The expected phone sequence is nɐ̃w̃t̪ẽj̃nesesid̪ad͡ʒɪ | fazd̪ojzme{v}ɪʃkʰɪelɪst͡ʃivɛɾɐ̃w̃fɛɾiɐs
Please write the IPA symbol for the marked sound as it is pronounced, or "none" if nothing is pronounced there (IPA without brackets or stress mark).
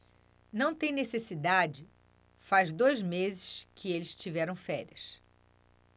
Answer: z